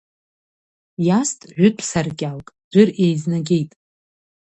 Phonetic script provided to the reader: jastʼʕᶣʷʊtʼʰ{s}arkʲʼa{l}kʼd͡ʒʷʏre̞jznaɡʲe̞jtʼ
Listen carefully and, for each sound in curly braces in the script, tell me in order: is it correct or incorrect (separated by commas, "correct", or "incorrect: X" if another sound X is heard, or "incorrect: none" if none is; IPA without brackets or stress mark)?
correct, correct